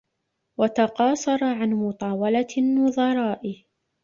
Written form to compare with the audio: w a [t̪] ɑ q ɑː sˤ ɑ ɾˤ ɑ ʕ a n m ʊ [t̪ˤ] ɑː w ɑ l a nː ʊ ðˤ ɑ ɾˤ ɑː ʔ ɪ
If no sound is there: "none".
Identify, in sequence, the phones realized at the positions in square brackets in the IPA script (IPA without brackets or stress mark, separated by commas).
t̪, t̪ˤ